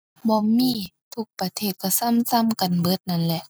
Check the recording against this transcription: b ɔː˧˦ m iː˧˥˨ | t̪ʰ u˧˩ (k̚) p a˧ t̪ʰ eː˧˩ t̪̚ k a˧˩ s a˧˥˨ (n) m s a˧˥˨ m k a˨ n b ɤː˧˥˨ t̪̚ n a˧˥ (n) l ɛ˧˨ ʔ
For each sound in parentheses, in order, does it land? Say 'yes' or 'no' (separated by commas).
yes, no, yes